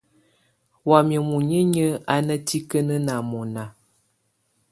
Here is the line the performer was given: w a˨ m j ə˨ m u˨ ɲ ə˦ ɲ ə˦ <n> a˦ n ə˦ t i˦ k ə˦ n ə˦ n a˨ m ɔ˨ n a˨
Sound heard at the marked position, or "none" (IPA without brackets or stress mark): none